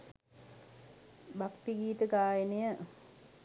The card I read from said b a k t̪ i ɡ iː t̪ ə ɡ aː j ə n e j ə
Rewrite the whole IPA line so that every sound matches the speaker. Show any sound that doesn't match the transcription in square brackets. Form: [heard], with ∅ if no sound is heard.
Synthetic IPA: b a k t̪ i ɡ iː t̪ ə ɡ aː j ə n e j ə